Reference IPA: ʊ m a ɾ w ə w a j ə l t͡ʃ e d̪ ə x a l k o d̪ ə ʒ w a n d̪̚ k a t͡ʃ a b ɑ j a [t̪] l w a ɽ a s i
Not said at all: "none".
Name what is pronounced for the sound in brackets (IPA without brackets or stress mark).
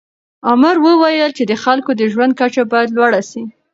d̪